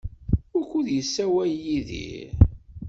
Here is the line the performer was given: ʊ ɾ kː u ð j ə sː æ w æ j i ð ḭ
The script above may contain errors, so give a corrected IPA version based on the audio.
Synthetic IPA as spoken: ʊ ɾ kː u ð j ə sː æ w æ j i ð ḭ